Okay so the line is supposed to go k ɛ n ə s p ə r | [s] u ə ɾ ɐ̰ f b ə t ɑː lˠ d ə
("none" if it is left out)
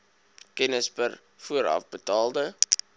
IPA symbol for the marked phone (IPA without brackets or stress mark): f